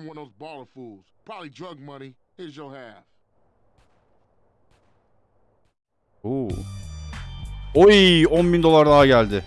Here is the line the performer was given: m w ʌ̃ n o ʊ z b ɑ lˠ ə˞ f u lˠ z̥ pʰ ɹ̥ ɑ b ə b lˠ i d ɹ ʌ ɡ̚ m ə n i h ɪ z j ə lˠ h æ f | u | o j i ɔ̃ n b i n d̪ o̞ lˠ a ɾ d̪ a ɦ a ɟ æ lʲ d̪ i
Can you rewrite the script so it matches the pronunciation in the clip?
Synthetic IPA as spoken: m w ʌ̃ n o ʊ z b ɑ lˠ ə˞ f u lˠ z̥ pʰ ɹ̥ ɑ b ə b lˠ i d ɹ ʌ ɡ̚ m ʌ n i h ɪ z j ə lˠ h æ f | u | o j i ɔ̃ n b i n d̪ o̞ lˠ a ɾ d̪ a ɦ a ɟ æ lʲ d̪ ɪ